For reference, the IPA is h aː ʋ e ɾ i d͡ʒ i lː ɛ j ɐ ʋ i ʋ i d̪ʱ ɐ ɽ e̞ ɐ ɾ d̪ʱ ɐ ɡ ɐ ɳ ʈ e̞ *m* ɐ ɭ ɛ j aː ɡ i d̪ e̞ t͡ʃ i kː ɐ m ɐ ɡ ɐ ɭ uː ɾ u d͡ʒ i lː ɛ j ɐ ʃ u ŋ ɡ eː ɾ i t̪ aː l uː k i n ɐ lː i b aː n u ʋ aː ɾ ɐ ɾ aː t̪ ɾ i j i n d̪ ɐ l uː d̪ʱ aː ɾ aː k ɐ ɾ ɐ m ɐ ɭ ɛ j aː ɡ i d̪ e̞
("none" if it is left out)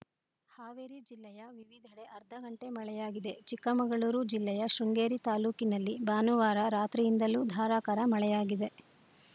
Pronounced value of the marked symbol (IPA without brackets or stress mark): m